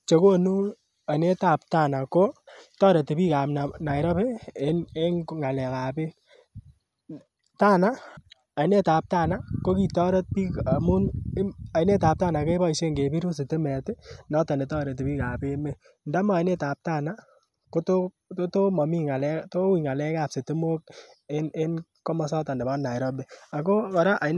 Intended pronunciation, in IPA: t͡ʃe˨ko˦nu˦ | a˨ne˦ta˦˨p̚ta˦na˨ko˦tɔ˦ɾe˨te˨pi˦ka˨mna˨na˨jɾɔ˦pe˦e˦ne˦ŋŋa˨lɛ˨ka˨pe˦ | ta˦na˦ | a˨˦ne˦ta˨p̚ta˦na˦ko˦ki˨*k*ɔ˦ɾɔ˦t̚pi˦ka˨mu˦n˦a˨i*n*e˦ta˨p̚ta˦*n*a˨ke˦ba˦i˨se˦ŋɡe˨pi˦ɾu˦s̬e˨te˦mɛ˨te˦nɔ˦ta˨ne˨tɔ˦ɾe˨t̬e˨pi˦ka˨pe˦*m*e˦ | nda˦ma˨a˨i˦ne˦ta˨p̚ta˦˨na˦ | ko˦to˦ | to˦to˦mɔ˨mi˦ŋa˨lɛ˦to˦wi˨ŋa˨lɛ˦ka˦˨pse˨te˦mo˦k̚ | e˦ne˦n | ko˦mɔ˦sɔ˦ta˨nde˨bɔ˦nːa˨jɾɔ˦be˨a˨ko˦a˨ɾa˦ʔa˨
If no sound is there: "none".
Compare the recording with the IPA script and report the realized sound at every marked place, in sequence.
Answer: t, n, n, m

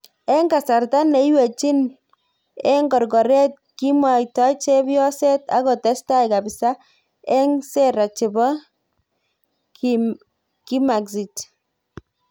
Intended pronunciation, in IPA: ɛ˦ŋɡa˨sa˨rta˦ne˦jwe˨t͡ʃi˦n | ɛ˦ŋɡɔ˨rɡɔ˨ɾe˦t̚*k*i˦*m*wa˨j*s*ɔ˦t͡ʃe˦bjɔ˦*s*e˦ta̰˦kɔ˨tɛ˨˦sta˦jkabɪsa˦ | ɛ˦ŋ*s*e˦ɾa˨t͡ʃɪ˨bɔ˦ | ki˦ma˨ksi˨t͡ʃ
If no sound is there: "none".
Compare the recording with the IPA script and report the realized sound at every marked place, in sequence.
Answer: k, m, t, s, s

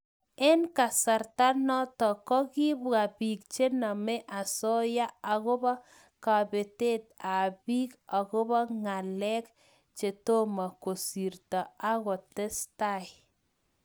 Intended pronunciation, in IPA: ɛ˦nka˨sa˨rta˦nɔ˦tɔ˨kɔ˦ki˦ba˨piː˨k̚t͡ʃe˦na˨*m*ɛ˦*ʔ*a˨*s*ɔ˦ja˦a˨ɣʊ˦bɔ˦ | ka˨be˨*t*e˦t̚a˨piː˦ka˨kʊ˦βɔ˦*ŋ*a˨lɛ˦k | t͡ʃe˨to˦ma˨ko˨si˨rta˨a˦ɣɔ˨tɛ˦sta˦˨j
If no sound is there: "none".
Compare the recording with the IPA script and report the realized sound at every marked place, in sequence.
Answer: m, ʔ, s, t, ŋ

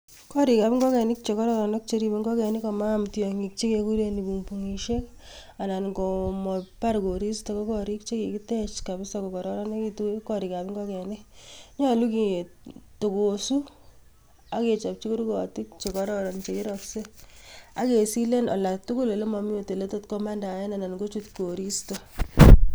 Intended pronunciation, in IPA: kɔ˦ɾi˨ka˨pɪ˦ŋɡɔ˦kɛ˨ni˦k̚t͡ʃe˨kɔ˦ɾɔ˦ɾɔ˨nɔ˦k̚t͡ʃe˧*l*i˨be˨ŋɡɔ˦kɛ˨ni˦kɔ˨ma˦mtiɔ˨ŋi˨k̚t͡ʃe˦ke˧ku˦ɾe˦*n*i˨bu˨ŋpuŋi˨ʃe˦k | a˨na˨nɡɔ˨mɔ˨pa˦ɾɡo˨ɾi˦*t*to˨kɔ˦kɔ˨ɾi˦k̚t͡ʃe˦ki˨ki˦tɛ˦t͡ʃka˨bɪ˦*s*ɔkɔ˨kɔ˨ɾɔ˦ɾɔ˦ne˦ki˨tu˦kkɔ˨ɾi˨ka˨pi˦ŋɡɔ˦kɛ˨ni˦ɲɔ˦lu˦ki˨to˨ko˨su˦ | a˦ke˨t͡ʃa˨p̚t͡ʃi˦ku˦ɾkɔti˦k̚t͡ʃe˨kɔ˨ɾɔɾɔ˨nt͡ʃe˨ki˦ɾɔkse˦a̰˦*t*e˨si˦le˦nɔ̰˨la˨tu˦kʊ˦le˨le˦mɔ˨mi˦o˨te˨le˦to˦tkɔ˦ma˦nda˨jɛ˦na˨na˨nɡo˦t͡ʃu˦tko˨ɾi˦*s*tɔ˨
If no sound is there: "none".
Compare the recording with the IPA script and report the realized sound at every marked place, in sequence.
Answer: ɾ, n, s, s, k, s

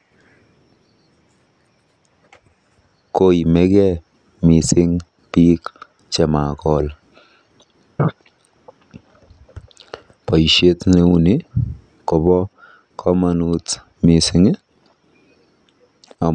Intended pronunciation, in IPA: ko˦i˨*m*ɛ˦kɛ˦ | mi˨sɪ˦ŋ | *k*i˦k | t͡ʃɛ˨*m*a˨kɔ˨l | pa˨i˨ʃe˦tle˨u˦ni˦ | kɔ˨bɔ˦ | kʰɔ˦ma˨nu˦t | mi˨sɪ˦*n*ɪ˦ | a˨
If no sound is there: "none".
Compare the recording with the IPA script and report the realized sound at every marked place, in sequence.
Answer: m, p, m, ŋ

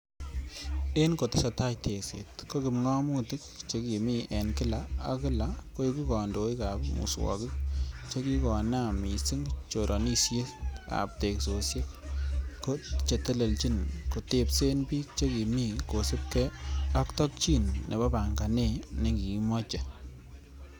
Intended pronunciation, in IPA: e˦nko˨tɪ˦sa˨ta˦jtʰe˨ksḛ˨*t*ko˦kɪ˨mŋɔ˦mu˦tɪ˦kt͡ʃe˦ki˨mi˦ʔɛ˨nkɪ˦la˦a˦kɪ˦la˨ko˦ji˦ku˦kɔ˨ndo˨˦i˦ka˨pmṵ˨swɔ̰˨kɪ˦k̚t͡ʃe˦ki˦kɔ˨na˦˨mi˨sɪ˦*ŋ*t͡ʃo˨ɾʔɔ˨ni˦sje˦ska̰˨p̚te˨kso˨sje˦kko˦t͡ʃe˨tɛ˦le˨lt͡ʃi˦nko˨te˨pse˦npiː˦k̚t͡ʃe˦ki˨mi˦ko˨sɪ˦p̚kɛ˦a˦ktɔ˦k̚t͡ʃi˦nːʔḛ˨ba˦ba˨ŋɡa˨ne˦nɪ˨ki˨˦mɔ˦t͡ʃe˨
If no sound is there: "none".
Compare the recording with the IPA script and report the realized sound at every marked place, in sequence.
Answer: t, ŋ

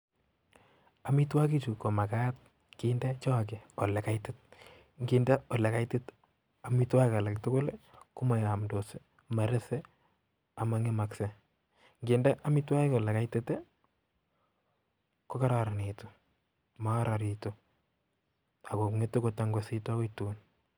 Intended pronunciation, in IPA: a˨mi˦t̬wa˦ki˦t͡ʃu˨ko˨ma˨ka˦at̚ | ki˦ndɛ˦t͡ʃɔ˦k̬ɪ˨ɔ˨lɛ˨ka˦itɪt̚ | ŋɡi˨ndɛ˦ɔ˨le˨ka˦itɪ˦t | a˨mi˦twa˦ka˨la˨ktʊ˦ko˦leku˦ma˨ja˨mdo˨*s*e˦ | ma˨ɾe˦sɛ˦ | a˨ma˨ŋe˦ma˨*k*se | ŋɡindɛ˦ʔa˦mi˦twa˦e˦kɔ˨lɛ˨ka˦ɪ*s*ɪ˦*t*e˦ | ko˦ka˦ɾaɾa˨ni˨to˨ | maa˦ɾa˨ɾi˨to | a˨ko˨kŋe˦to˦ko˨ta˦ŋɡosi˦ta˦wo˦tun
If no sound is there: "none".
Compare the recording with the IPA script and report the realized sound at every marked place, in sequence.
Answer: s, k, t, t

